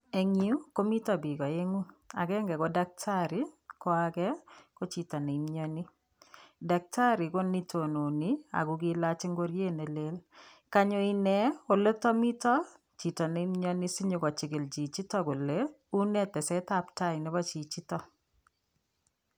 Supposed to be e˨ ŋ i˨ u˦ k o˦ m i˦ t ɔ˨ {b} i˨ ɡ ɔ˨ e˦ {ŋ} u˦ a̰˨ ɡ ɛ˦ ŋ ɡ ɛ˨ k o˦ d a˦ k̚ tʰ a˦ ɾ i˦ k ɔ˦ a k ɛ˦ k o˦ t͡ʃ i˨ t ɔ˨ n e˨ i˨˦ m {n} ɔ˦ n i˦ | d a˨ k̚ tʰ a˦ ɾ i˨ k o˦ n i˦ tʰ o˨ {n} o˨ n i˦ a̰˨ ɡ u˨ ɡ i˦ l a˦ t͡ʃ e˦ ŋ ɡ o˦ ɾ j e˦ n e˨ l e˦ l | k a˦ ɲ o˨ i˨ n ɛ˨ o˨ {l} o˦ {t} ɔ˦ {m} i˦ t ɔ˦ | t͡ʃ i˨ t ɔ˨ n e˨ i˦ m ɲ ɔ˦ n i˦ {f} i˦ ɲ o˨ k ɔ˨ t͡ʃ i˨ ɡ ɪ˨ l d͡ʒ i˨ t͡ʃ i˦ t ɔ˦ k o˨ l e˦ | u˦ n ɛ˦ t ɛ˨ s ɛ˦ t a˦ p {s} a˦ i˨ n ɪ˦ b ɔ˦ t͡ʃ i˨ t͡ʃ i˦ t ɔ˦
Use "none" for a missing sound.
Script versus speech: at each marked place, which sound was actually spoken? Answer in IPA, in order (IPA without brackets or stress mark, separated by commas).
b, ŋ, ɲ, n, l, t, m, s, t